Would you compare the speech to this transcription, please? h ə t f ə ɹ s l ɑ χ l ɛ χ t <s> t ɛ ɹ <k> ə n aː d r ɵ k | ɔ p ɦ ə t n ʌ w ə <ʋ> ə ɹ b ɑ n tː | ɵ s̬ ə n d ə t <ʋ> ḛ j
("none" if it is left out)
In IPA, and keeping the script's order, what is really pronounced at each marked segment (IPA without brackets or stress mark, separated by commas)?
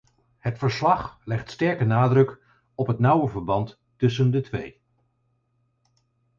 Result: s, k, v, ʋ